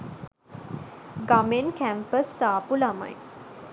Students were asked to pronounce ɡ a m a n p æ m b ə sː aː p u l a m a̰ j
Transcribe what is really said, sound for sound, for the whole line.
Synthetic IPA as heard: ɡ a m e n k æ m p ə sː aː p u l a m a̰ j